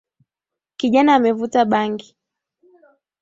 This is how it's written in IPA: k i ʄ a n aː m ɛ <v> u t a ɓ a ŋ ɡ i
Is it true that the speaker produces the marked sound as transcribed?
yes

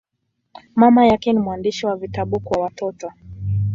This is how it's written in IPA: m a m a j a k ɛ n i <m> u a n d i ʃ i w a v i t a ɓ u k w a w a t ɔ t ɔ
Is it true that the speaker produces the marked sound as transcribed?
yes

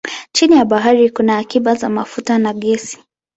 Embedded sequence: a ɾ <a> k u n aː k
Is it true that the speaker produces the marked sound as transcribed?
no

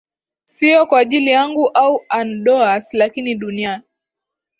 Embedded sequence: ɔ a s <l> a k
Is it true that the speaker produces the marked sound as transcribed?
yes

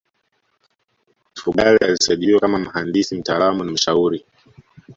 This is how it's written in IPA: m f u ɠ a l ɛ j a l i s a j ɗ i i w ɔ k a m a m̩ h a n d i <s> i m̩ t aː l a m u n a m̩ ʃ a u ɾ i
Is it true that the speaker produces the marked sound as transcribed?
yes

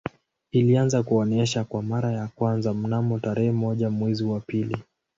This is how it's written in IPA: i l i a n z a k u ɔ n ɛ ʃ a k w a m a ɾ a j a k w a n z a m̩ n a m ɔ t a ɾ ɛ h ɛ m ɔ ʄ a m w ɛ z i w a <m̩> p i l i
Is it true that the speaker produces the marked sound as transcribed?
no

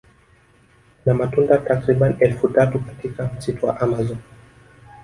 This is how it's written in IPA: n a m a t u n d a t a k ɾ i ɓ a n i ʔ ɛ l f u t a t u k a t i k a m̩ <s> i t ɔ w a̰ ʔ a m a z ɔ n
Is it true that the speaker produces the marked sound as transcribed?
yes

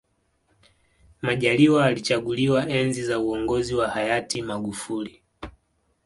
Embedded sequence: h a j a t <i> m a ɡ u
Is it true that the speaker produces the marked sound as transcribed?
yes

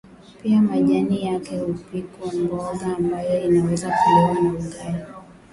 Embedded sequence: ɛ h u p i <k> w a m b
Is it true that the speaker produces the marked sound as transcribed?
yes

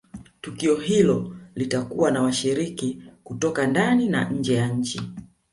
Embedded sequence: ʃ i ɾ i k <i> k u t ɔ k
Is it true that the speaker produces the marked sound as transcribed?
yes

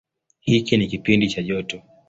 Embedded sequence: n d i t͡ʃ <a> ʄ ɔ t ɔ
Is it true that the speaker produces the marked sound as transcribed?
yes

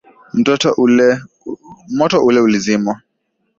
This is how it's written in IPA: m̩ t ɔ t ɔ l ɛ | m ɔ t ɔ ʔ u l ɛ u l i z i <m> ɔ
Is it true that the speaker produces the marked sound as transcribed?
yes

